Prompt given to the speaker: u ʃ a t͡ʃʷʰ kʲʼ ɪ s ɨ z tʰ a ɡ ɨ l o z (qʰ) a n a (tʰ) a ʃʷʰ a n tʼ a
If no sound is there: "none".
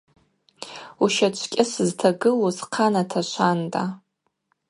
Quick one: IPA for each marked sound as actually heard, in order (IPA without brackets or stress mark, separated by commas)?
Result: qʰ, tʰ